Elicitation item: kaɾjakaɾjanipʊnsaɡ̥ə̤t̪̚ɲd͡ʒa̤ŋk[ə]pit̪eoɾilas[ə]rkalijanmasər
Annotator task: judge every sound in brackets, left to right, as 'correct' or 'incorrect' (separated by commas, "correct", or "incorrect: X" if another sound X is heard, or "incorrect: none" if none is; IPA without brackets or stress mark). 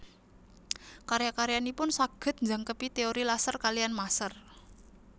correct, correct